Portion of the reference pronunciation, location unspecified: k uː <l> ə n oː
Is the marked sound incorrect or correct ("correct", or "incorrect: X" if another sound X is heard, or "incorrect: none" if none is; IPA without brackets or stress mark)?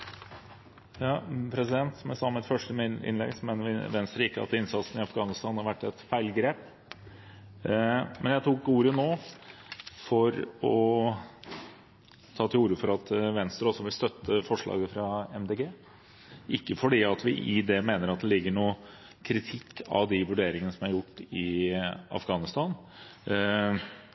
incorrect: ɾ